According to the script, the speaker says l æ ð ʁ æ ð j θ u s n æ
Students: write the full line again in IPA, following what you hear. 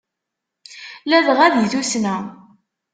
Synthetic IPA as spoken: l æ ð ʁ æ ð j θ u s n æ